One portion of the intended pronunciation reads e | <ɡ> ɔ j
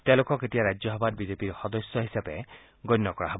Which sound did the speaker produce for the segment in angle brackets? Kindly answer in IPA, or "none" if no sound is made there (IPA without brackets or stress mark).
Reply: ɡ